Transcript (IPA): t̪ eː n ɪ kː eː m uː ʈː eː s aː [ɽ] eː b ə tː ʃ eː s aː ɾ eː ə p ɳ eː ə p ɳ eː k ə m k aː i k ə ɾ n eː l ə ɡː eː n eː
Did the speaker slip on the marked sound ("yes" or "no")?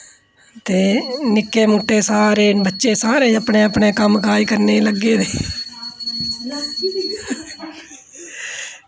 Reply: yes